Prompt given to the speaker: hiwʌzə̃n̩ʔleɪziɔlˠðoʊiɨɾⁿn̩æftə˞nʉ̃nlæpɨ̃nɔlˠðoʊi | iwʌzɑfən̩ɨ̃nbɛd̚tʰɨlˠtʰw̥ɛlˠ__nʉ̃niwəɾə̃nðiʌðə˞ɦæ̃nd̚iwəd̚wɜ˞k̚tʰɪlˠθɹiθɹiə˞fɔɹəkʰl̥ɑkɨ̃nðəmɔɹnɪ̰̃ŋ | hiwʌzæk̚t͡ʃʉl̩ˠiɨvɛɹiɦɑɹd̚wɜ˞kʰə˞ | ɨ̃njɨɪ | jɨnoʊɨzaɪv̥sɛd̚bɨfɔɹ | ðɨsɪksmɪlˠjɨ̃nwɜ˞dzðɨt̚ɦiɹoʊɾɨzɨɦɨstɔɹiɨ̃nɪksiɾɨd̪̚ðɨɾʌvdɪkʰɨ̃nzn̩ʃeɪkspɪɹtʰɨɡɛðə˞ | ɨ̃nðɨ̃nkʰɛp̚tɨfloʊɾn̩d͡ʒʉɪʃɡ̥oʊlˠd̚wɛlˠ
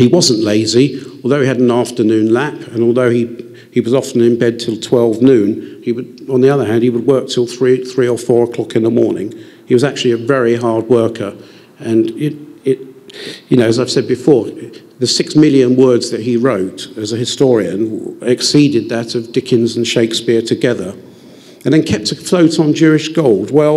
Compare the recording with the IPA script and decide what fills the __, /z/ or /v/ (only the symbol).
v